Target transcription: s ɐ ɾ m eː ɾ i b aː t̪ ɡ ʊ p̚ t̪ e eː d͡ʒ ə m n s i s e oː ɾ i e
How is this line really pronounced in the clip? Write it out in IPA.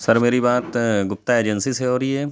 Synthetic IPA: s ɐ ɾ m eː ɾ i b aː t̪ ɡ ʊ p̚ t̪ a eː d͡ʒ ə n s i s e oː ɾ i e